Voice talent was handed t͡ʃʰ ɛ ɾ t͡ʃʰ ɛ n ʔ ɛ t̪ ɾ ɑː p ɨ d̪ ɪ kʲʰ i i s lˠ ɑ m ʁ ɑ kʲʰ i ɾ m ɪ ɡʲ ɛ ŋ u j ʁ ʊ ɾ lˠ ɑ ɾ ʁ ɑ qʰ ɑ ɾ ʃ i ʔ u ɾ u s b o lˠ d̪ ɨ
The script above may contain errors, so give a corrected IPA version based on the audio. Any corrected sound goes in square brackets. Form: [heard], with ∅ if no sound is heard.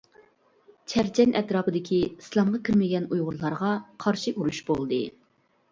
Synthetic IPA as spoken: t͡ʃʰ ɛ ɾ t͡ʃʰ ɛ n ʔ ɛ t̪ ɾ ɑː p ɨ d̪ ɪ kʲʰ i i s lˠ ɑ m ʁ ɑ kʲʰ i ɾ m ɪ ɡʲ ɛ [n] u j ʁ ʊ ɾ lˠ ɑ ɾ ʁ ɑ qʰ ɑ ɾ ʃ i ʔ u ɾ u [ʃ] b o lˠ d̪ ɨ